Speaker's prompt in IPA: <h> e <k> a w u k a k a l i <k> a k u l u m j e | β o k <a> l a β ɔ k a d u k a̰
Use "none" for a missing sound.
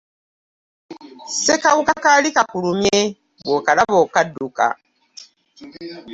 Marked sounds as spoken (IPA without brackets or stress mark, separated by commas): s, k, k, a